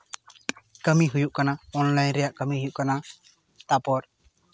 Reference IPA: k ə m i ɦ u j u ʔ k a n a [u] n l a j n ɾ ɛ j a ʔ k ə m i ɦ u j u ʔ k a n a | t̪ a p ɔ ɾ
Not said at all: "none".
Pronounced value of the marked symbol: ɔ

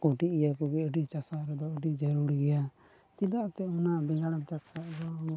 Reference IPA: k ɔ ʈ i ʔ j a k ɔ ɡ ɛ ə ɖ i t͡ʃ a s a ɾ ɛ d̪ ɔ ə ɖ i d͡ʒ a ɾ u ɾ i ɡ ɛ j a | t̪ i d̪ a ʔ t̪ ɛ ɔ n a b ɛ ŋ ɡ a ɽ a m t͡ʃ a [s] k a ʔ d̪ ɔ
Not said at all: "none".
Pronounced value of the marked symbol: s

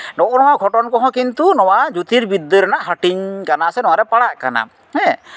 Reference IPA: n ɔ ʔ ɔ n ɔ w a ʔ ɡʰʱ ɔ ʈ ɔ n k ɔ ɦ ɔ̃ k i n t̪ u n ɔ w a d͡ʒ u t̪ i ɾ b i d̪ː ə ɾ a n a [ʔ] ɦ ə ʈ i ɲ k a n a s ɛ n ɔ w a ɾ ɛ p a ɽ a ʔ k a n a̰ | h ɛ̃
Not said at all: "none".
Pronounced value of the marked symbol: ʔ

